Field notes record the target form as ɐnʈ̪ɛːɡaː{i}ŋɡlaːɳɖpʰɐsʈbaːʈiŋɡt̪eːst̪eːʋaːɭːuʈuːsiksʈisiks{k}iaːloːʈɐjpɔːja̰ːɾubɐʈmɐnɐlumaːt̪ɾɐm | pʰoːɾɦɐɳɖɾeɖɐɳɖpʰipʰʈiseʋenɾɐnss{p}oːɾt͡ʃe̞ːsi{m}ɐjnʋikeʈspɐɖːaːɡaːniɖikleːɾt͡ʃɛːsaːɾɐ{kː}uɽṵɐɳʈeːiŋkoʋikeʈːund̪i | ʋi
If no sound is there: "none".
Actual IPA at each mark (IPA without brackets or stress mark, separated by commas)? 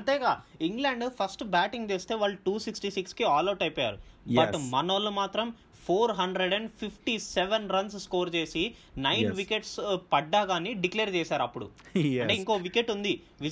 i, k, k, n, pː